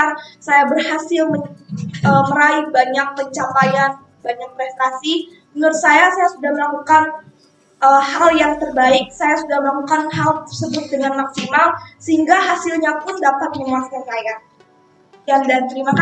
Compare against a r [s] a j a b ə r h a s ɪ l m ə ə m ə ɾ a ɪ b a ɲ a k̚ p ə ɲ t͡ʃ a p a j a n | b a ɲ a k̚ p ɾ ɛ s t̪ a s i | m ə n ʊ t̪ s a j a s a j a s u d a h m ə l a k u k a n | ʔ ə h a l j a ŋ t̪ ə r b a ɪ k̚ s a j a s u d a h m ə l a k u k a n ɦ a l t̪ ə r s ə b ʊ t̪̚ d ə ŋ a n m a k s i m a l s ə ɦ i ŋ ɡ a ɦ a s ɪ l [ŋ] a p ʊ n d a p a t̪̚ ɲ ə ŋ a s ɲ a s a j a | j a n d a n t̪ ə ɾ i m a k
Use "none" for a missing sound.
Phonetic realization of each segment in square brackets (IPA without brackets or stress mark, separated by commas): s, ɲ